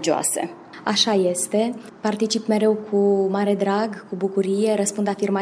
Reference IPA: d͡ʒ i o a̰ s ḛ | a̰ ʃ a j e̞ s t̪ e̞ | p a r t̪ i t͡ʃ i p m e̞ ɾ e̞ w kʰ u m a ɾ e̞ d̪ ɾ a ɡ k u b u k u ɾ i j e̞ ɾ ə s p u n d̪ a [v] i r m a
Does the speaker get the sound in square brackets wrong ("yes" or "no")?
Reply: yes